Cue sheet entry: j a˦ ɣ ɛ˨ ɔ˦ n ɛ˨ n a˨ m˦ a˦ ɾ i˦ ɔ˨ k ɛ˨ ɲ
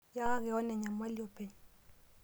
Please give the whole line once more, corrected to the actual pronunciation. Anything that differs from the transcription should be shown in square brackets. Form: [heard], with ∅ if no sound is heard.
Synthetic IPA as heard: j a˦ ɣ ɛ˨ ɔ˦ n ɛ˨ [ɲ] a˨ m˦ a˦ [l] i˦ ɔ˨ [p] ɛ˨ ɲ